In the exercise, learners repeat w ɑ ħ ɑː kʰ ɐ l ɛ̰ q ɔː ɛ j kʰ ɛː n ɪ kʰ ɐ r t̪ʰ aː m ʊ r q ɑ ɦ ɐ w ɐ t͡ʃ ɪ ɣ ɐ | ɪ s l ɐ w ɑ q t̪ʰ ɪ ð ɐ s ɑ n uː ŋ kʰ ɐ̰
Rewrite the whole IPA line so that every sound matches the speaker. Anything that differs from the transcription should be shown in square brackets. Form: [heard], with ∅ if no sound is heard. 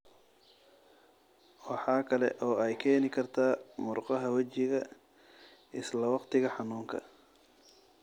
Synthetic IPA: w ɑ ħ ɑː kʰ ɐ l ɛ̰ [ʔ] ɔː ɛ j kʰ ɛː n ɪ kʰ ɐ r t̪ʰ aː m ʊ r q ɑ ɦ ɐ w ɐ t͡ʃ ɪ ɣ ɐ | ɪ s l ɐ w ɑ q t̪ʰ ɪ [ɣ] ɐ [ħ] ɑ n uː ŋ kʰ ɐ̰

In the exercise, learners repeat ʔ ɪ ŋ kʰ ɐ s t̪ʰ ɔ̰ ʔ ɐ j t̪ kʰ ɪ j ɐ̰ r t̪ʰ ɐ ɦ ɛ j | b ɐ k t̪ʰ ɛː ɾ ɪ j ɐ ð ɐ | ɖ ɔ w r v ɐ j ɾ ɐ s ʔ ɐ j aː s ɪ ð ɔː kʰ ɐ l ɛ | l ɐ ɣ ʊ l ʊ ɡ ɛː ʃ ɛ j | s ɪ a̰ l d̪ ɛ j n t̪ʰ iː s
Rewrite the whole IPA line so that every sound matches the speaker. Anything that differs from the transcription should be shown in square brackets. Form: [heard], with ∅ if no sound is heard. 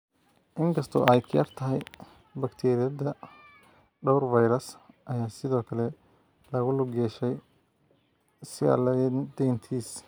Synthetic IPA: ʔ ɪ ŋ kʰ ɐ s t̪ʰ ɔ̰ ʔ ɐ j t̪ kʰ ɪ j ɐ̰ r t̪ʰ ɐ ɦ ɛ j | b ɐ k t̪ʰ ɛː ɾ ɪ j ɐ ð ɐ | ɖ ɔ w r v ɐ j ɾ ɐ s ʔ ɐ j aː s ɪ ð ɔː kʰ ɐ l ɛ | l ɐ ɣ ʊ l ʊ ɡ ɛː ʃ ɛ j | s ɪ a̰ l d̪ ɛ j n t̪ʰ iː s

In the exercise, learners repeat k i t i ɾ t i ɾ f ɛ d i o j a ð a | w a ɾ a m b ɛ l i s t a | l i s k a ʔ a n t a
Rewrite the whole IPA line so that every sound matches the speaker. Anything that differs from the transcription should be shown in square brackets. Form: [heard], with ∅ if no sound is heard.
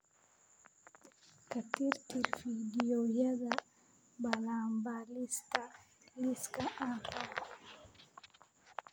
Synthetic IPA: k [a] t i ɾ t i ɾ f [i] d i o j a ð a | [b] a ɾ a m b [a] l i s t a | l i s k a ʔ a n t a

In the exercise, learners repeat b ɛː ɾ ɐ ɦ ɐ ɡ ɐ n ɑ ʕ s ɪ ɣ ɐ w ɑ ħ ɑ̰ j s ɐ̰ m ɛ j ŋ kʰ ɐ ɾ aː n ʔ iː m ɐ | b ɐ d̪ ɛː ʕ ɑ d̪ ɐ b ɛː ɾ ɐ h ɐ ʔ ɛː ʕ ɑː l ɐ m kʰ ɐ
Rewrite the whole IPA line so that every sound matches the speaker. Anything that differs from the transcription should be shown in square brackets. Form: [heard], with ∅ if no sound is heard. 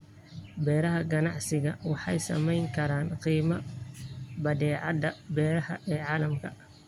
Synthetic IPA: b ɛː ɾ ɐ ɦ ɐ ɡ ɐ n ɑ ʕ s ɪ ɣ ɐ w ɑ ħ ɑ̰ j s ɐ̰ m ɛ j ŋ kʰ ɐ ɾ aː n [q] iː m ɐ | b ɐ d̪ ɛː ʕ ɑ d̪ ɐ b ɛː ɾ ɐ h ɐ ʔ ɛː ʕ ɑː l ɐ m kʰ ɐ

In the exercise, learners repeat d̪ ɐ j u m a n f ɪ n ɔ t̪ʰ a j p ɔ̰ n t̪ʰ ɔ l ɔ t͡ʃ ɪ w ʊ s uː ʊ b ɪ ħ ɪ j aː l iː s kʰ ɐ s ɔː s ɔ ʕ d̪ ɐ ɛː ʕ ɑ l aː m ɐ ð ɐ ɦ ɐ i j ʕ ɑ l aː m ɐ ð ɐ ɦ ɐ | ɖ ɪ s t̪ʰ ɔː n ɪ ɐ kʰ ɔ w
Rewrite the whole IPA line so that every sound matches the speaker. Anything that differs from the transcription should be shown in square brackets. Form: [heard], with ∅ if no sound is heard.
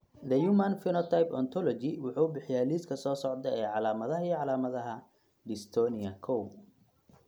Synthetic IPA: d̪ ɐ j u m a n f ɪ n ɔ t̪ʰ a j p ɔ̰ n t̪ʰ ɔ l ɔ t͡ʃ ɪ w ʊ [ħ] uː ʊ b ɪ ħ ɪ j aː l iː s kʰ ɐ s ɔː s ɔ ʕ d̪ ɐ ɛː ʕ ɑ l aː m ɐ ð ɐ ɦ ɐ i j ʕ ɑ l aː m ɐ ð ɐ ɦ ɐ | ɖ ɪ s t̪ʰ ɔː n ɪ ɐ kʰ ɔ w

